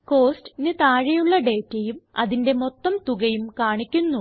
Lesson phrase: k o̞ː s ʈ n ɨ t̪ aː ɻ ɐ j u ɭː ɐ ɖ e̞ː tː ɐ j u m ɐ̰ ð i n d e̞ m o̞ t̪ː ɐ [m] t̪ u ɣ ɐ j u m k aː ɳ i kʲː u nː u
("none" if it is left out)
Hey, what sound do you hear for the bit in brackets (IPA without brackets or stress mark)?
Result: m